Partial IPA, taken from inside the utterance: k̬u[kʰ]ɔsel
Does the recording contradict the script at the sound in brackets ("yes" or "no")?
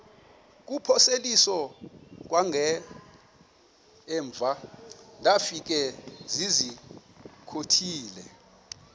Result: yes